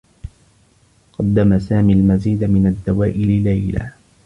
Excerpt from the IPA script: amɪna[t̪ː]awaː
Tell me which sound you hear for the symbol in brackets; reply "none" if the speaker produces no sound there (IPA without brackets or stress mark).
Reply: d̪ː